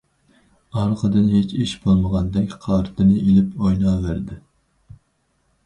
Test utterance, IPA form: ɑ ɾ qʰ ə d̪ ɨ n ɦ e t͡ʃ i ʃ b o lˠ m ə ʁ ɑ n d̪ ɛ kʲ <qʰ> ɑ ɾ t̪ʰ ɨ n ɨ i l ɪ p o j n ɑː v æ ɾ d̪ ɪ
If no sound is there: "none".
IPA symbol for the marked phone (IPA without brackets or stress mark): qʰ